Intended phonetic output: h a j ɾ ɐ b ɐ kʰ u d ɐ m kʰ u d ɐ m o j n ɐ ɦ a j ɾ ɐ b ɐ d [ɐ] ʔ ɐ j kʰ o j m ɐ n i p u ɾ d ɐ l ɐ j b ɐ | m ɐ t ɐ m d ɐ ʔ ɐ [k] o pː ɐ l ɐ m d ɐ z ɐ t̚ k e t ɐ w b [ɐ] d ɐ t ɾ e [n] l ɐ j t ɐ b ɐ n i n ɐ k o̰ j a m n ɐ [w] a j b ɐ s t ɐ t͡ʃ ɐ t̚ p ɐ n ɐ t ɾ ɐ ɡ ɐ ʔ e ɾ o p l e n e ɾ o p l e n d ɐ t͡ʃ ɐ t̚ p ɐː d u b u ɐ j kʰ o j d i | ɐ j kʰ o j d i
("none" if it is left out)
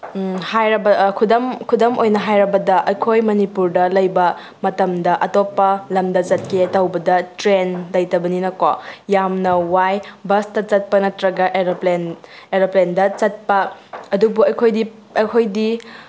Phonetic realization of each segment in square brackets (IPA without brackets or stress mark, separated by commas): ɐ, t, ɐ, n, w